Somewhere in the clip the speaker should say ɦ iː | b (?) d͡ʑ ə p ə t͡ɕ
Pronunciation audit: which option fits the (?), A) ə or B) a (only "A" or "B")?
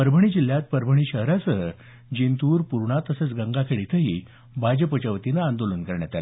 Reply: B